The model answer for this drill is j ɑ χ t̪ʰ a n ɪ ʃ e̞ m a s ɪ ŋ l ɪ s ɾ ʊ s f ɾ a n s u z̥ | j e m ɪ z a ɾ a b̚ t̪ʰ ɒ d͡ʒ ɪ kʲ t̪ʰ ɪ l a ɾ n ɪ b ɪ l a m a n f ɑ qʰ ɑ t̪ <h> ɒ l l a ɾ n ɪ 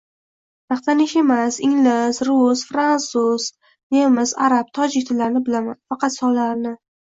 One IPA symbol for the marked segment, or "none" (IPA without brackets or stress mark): s